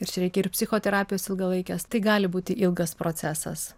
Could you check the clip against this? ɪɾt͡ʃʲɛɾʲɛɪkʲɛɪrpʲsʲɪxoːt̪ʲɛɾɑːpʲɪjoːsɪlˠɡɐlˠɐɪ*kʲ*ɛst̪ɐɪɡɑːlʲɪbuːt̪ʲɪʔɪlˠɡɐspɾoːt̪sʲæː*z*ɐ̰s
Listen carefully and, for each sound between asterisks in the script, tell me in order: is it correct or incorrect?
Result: correct, incorrect: s

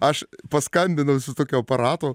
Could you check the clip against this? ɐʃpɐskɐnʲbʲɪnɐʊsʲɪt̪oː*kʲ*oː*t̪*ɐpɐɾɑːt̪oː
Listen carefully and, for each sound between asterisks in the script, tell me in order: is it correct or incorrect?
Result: correct, incorrect: none

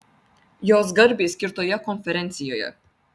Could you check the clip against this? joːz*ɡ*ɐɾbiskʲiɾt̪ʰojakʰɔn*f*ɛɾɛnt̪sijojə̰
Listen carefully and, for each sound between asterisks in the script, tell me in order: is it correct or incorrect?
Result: correct, correct

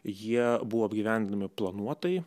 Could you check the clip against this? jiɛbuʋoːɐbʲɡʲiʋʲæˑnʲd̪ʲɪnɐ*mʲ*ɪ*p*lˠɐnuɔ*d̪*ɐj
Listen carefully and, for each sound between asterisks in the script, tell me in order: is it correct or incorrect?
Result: correct, correct, incorrect: t̪

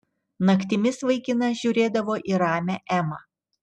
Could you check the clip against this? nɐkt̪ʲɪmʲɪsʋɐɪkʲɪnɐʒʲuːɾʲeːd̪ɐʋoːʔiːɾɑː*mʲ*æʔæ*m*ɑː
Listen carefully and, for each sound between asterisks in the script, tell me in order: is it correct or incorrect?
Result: correct, correct

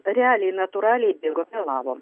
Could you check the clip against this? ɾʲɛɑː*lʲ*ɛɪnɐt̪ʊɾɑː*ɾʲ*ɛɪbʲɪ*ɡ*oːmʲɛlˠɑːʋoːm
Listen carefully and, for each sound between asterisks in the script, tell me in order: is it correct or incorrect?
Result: correct, incorrect: lʲ, correct

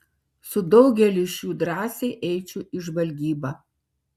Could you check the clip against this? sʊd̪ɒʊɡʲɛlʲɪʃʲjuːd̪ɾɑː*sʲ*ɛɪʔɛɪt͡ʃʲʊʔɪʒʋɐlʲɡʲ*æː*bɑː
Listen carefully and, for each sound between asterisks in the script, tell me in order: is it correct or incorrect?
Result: correct, incorrect: iː

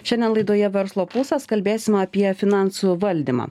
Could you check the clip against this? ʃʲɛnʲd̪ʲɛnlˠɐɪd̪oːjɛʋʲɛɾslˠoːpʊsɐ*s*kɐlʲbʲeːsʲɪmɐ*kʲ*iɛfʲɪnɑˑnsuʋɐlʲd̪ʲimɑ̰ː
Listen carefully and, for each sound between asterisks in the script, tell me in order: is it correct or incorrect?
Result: correct, incorrect: pʲ

